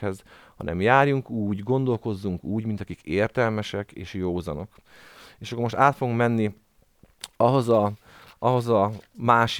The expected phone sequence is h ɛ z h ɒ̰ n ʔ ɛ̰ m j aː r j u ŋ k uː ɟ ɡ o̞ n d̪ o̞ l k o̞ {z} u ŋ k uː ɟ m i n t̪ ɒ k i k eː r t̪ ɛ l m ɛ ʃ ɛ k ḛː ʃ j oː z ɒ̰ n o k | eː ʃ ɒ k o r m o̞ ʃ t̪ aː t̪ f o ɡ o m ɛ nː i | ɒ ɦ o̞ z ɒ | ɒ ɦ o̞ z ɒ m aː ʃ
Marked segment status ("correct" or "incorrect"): incorrect